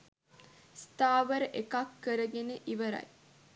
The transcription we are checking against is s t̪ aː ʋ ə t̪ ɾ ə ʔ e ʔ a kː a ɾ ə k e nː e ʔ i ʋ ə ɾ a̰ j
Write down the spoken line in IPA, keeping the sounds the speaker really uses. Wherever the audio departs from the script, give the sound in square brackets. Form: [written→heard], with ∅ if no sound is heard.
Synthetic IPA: s t̪ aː ʋ ə [t̪→∅] ɾ ə ʔ e [ʔ→k] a kː [a→ə] ɾ ə [k→ɡ] e [nː→n] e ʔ i ʋ ə ɾ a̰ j